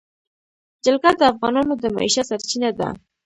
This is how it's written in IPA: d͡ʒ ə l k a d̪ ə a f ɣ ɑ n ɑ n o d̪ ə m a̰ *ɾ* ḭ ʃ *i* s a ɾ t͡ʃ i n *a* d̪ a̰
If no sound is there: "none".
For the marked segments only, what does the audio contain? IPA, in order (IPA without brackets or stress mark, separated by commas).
none, a, a